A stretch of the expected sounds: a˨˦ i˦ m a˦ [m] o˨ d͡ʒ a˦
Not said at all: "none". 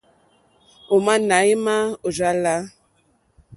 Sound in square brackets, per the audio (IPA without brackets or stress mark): none